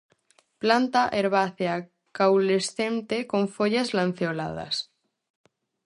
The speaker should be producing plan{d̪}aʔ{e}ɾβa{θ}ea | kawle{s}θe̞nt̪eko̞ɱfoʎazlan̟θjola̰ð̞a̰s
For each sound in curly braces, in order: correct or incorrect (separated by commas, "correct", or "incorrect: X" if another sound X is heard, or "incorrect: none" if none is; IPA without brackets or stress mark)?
incorrect: t̪, correct, correct, correct